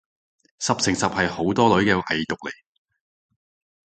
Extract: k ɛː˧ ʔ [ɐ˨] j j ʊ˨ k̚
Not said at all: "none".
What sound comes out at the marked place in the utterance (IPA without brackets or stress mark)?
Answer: ɐ˨